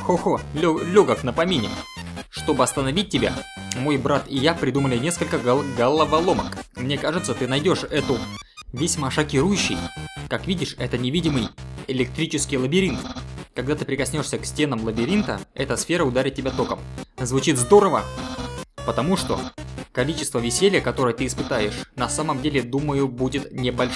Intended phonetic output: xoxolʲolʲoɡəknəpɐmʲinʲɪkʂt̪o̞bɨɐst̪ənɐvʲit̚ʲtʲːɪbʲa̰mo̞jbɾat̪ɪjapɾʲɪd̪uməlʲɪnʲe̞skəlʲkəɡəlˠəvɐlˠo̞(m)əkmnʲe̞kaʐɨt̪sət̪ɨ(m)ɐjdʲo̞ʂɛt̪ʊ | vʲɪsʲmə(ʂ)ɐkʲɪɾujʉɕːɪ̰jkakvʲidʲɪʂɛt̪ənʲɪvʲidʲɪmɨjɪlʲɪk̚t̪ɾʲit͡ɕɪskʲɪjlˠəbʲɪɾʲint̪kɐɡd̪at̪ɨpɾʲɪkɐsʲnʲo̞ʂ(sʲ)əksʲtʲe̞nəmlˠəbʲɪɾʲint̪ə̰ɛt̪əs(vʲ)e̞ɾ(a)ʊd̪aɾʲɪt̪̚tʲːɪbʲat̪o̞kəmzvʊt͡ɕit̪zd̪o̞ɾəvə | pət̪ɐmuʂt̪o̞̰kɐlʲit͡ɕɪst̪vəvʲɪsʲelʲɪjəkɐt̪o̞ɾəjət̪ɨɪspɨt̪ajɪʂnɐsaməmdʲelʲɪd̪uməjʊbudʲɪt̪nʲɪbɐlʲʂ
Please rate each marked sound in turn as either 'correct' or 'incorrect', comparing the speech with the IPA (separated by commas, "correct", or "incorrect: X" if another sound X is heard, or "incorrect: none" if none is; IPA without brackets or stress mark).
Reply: correct, incorrect: n, correct, correct, incorrect: fʲ, incorrect: ə